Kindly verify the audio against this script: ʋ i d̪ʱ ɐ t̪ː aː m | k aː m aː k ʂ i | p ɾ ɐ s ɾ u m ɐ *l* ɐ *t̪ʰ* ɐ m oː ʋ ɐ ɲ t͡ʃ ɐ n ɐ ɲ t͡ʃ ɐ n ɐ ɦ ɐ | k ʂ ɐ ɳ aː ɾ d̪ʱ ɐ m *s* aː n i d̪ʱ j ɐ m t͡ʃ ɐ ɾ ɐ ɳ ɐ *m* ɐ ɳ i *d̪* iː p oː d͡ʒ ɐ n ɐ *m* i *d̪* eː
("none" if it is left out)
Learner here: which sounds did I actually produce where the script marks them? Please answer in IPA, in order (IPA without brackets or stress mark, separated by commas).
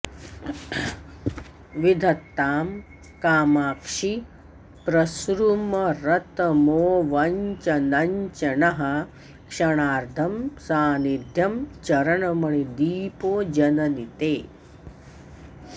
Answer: ɾ, t̪, s, m, d̪, n, t̪